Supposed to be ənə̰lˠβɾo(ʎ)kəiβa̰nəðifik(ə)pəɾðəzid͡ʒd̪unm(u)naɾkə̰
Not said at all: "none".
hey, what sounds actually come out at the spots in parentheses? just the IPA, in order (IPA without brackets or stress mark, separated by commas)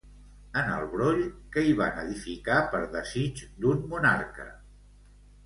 ʎ, a, u